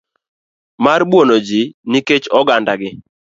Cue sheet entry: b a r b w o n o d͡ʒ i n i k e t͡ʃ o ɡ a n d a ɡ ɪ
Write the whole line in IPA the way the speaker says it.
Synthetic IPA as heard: m a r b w o n o d͡ʒ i n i k e t͡ʃ ɔ ɡ a n d a ɡ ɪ